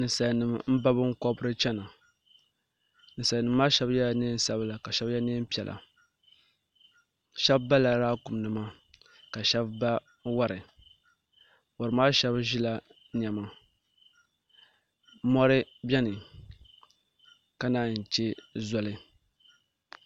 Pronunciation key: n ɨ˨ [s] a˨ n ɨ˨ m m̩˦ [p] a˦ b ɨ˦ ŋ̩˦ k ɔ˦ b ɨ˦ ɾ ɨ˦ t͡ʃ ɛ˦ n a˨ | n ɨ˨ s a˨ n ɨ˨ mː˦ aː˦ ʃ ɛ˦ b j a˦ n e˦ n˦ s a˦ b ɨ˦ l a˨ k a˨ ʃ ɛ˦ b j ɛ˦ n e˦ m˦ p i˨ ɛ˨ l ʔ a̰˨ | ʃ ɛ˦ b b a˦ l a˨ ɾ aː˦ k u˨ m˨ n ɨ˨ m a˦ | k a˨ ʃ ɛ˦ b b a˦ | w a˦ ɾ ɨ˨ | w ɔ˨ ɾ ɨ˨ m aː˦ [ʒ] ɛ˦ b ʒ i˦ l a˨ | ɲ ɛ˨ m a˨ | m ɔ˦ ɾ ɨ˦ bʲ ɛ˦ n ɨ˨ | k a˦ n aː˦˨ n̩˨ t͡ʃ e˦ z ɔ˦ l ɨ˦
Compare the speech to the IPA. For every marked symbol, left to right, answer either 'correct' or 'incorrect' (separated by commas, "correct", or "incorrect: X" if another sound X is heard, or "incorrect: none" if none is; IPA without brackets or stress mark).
correct, incorrect: b, incorrect: ʃ